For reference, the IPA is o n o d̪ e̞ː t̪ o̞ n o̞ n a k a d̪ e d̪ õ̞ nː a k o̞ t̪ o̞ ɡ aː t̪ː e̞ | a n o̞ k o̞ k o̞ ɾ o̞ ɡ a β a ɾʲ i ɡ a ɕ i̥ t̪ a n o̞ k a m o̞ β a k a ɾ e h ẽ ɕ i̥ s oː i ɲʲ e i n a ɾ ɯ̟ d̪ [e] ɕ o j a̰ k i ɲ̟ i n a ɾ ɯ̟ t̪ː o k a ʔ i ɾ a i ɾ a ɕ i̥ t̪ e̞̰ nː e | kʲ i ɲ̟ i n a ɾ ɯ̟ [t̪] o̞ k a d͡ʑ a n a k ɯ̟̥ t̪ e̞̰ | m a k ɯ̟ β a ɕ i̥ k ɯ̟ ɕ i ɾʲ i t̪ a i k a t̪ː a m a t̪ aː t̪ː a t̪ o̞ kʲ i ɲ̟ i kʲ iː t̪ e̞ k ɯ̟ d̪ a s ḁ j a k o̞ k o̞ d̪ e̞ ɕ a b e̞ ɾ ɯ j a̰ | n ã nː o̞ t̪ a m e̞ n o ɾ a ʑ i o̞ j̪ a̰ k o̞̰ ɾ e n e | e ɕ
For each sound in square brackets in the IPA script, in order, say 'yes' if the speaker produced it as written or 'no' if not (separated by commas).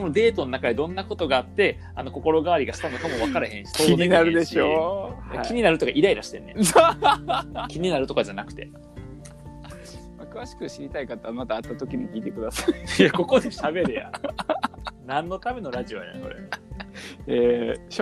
yes, yes